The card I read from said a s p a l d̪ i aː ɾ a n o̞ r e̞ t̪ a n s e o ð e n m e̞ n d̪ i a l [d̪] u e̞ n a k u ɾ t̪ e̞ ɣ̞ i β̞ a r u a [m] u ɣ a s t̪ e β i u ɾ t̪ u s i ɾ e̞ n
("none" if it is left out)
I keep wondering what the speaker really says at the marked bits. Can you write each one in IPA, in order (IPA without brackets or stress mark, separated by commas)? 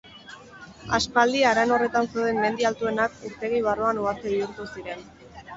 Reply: t̪, n